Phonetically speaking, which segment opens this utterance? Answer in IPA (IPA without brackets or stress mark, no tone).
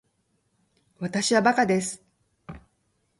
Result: β